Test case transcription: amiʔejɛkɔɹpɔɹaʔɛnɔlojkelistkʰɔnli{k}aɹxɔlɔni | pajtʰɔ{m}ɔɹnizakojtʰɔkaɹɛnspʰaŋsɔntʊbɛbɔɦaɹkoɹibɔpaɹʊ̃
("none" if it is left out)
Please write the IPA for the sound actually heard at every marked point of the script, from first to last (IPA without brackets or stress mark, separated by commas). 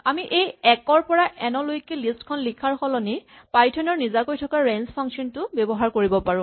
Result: kʰ, n